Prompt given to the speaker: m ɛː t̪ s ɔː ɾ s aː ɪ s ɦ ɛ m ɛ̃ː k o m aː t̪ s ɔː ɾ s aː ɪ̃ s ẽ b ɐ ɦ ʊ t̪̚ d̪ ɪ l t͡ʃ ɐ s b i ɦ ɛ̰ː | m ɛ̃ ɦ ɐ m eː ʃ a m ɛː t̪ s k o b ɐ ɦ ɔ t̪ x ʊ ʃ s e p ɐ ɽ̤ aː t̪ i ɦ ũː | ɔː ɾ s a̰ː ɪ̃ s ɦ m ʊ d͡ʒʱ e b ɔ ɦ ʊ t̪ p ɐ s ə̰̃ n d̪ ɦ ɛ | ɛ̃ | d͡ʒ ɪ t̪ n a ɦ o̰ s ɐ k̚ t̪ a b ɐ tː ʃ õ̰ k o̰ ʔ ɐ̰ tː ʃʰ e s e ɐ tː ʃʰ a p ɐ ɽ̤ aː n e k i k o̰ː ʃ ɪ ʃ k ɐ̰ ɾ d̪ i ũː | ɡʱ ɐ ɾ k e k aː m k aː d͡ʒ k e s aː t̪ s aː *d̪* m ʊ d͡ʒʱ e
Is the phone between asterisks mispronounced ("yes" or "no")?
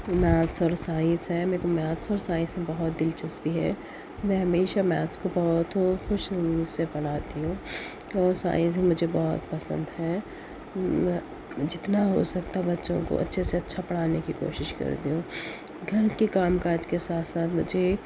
yes